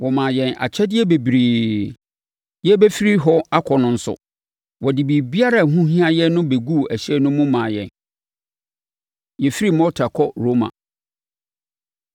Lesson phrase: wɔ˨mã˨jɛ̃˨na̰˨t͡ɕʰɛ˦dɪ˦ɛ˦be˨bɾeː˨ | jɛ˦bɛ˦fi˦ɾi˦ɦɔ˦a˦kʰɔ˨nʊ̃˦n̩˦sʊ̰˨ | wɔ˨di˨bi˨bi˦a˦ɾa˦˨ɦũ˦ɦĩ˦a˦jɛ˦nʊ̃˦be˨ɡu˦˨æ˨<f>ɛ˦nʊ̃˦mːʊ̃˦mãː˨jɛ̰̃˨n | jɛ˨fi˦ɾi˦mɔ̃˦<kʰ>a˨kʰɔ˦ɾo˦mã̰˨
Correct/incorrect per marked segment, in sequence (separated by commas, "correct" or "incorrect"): incorrect, incorrect